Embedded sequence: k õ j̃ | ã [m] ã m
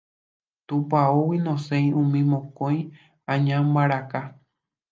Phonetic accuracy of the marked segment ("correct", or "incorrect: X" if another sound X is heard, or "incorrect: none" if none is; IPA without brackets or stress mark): incorrect: ɲ